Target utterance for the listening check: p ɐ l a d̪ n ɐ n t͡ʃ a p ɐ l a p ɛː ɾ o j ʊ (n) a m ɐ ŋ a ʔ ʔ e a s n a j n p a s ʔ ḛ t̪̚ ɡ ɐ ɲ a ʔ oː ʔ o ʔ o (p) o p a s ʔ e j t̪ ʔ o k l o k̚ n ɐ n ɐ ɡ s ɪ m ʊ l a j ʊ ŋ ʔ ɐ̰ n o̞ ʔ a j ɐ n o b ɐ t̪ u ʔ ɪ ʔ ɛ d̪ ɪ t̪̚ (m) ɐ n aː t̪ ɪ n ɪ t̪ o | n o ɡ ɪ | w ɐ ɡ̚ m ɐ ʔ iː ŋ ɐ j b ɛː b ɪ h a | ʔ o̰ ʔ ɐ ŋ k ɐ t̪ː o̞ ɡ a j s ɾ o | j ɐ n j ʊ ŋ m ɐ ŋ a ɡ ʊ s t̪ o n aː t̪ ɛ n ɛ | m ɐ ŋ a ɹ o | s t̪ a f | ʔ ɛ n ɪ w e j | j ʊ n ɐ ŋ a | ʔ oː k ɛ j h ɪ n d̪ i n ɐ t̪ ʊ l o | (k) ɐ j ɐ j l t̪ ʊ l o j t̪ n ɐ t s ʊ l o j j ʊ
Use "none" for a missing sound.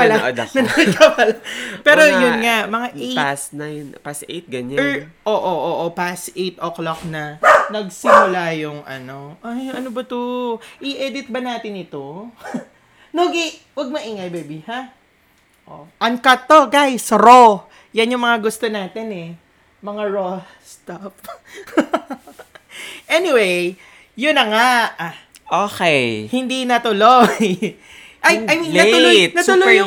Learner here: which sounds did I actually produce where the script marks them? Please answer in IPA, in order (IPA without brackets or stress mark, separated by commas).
ŋ, ʔ, b, ʔ